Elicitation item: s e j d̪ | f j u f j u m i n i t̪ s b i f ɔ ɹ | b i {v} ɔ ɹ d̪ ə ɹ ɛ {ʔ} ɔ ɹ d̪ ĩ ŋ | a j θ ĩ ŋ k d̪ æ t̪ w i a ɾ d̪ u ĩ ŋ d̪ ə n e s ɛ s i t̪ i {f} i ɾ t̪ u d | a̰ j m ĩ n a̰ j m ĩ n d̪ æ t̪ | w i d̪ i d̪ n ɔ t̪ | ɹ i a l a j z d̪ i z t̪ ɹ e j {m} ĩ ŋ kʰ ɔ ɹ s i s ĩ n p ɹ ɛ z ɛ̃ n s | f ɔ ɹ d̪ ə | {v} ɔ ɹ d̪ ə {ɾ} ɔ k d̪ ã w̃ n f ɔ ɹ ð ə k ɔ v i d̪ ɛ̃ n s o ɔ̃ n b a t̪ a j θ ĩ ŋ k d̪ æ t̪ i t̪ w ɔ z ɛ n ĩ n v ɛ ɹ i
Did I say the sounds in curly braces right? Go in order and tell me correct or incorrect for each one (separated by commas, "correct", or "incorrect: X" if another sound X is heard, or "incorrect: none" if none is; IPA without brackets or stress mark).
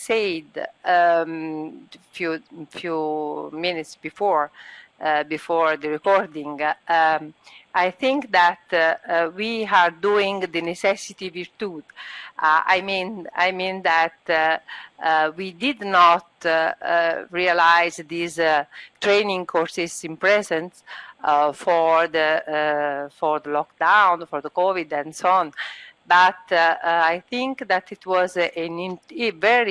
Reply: incorrect: f, incorrect: k, incorrect: v, incorrect: n, incorrect: f, incorrect: l